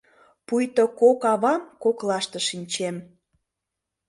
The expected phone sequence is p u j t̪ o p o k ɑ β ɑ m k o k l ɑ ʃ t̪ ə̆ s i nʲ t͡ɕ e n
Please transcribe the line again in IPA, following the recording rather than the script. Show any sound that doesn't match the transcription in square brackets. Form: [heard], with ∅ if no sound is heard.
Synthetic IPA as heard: p u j t̪ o [k] o k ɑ β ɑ m k o k l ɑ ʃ t̪ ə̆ [ʃ] i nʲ t͡ɕ e [m]